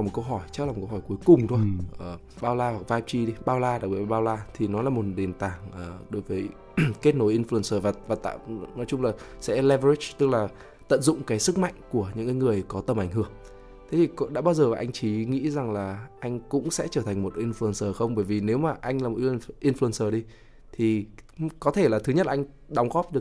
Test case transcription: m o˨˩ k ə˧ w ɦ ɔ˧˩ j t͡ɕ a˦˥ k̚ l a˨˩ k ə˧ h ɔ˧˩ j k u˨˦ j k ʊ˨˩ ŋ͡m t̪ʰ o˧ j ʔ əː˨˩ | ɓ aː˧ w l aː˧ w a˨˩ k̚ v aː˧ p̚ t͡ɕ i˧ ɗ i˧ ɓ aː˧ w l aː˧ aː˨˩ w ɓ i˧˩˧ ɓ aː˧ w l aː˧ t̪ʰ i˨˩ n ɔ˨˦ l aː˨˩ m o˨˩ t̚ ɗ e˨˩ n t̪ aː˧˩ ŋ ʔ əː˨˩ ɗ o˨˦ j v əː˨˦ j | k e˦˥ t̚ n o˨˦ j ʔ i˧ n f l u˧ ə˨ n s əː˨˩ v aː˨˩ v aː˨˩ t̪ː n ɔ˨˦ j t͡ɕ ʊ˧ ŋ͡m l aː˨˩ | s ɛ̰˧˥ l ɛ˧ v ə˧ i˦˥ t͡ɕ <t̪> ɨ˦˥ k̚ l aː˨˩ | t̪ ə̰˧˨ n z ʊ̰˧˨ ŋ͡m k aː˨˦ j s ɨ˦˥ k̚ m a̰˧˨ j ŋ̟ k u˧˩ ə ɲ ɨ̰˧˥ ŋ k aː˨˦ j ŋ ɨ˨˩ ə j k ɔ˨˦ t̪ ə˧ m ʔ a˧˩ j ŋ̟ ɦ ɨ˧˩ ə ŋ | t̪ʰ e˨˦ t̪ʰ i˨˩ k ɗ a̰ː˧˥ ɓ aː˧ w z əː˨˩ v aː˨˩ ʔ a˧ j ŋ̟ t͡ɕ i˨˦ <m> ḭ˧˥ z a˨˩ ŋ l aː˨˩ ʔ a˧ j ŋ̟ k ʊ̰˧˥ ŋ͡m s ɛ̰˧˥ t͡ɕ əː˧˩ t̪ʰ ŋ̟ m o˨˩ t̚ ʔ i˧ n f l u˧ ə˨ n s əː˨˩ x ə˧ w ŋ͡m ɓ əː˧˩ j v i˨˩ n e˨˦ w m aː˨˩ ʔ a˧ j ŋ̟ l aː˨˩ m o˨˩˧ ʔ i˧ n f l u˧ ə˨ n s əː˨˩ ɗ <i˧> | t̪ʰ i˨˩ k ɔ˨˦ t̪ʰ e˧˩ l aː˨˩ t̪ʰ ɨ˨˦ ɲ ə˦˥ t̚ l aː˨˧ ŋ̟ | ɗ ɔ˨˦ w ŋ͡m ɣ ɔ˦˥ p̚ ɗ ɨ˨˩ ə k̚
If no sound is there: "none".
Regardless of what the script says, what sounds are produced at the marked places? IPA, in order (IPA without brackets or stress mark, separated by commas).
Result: t̪, ŋ, i˧